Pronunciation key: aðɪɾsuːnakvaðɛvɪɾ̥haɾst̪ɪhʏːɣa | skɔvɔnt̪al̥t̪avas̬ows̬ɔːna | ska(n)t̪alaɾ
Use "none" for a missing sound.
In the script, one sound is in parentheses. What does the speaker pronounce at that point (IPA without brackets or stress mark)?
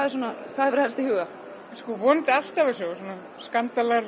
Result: n